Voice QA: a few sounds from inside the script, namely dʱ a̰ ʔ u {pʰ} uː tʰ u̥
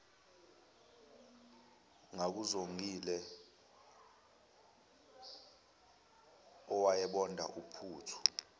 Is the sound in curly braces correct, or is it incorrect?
correct